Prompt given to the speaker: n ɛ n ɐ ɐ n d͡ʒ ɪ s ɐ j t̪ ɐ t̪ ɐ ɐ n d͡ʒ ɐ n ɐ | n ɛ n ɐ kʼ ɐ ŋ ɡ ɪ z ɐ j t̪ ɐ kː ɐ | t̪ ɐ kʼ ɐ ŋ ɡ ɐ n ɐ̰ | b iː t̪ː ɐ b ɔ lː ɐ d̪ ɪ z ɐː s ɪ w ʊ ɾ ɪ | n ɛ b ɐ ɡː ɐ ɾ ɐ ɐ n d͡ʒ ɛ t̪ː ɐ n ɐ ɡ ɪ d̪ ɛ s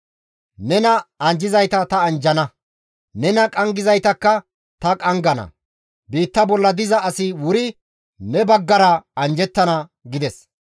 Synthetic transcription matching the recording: n ɛ n ɐ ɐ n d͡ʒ ɪ z ɐ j t̪ ɐ t̪ ɐ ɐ n d͡ʒ ɐ n ɐ | n ɛ n ɐ kʼ ɐ ŋ ɡ ɪ z ɐ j t̪ ɐ kː ɐ | t̪ ɐ kʼ ɐ ŋ ɡ ɐ n ɐ̰ | b iː t̪ː ɐ b ɔ lː ɐ d̪ ɪ z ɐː s ɪ w ʊ ɾ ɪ | n ɛ b ɐ ɡː ɐ ɾ ɐ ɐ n d͡ʒ ɛ t̪ː ɐ n ɐ ɡ ɪ d̪ ɛ s